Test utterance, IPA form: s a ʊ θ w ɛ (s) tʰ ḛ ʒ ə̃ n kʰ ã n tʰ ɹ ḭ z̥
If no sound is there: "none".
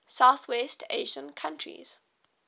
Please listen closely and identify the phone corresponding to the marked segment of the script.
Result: s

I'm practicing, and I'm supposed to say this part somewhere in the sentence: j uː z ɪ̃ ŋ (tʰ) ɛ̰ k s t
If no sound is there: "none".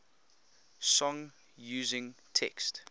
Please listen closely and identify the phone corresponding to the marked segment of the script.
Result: tʰ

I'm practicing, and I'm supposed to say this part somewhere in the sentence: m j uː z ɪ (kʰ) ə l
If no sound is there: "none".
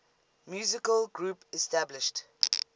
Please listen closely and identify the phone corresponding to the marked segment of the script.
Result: k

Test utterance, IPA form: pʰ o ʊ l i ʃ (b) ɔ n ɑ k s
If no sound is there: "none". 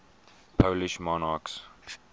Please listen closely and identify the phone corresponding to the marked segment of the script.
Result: m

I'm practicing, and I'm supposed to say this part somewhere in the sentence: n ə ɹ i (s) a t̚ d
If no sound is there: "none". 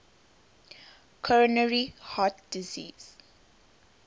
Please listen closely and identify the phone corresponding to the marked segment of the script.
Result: h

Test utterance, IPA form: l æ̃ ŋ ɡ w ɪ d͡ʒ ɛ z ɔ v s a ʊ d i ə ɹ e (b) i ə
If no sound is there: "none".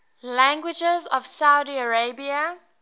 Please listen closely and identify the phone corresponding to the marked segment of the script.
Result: b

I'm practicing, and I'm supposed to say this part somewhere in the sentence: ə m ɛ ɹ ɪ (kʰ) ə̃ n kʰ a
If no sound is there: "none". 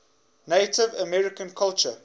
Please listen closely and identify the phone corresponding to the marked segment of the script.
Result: k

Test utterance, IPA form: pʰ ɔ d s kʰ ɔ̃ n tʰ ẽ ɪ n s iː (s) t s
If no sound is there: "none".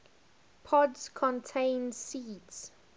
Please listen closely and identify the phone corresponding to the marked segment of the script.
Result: none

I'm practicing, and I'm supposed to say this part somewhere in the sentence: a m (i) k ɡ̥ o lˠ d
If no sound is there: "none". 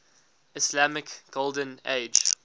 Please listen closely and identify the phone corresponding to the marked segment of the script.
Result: ɪ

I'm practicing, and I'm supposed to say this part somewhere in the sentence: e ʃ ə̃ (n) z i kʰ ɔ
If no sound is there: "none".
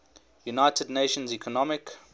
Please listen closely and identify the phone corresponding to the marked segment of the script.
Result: n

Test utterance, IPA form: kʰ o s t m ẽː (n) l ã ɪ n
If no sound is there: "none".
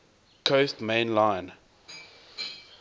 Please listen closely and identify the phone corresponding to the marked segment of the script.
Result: n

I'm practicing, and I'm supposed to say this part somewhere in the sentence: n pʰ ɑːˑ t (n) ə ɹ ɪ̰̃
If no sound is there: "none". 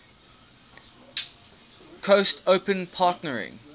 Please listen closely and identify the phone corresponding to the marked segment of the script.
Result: n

